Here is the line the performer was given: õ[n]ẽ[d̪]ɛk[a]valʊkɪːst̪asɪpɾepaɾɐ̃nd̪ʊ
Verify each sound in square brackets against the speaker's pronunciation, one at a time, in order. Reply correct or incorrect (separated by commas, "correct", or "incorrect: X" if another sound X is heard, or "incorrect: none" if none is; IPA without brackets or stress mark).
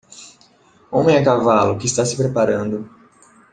incorrect: m, incorrect: none, correct